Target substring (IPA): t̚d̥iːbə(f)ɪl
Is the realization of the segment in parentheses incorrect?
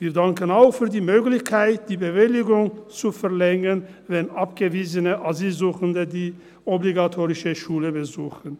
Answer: yes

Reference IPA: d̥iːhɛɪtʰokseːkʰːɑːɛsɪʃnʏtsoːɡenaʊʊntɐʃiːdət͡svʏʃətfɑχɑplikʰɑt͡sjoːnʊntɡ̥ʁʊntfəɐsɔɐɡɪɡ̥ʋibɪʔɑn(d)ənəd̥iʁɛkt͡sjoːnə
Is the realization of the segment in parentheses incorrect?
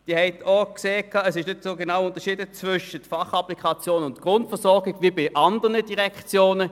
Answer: no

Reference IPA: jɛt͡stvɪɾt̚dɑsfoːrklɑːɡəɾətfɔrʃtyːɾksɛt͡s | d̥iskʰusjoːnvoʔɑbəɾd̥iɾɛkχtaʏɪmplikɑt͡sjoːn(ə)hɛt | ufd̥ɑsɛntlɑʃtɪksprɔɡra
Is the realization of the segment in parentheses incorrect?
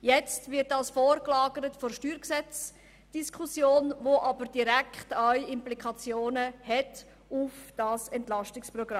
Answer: no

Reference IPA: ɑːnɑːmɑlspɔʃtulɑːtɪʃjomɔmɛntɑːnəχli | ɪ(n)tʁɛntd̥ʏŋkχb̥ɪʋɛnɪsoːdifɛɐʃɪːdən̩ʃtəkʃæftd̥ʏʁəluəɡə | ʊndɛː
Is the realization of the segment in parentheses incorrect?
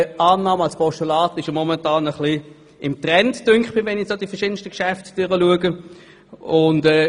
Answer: yes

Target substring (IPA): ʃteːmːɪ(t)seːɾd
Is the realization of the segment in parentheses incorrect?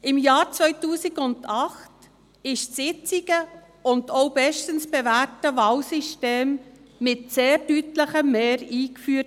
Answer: no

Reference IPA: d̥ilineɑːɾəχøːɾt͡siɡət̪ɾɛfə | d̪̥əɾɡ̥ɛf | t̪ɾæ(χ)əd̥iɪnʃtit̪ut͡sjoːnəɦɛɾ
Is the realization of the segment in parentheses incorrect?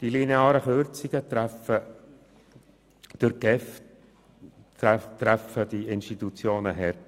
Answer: yes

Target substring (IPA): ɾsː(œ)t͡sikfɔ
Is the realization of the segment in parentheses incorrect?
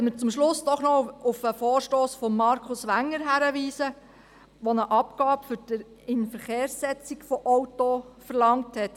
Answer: yes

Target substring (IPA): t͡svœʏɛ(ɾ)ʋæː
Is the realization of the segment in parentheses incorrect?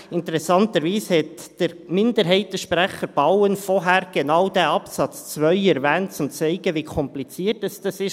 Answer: no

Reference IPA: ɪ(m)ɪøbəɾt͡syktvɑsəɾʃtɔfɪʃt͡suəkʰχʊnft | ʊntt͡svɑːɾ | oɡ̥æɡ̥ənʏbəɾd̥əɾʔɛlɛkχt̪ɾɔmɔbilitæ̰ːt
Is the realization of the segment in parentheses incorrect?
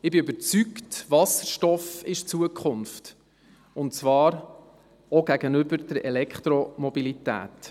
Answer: yes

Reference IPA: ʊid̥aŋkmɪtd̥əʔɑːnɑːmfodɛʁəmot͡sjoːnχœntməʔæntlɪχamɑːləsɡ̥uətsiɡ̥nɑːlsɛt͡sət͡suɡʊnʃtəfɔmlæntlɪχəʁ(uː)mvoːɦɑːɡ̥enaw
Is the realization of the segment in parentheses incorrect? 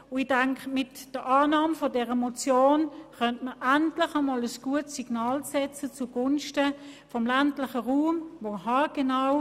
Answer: no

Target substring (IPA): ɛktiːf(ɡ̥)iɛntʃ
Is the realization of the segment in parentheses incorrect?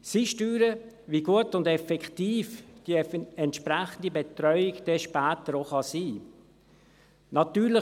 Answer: yes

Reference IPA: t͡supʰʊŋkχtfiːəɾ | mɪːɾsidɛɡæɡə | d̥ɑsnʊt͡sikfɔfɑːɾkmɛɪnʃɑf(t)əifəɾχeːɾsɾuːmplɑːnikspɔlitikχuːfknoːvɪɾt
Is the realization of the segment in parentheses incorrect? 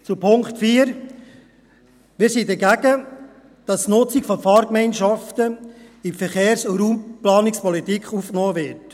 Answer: no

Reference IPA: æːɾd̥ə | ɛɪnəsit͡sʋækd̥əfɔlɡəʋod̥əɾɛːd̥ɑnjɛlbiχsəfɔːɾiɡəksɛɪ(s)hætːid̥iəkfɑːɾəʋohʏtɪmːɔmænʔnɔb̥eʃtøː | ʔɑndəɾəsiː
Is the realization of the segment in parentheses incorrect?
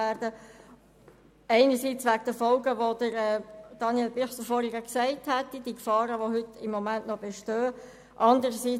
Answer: yes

